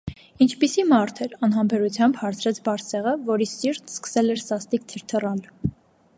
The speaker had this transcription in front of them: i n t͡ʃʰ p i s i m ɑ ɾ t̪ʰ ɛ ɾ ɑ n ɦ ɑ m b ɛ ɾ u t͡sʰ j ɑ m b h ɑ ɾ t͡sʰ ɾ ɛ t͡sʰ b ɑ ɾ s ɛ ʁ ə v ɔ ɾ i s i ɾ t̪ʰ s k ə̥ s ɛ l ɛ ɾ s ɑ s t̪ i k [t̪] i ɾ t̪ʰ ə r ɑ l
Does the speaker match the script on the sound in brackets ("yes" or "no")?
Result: no